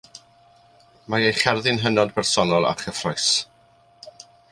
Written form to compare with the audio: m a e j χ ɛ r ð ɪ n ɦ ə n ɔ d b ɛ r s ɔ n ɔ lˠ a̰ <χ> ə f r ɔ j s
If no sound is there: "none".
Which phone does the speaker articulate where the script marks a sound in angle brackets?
χ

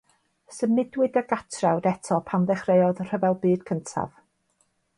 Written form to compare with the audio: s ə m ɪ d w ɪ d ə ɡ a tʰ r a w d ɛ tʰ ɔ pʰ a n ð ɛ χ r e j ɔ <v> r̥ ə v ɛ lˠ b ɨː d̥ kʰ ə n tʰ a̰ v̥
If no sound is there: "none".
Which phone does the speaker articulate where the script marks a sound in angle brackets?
ð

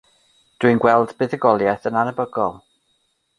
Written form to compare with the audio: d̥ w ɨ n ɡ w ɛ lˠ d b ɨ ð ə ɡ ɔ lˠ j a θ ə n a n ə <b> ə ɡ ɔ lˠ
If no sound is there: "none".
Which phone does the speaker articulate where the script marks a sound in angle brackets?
b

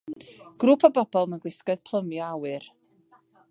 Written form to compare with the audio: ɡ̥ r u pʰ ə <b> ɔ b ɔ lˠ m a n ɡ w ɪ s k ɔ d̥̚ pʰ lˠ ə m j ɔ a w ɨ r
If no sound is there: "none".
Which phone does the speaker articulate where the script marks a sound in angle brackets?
b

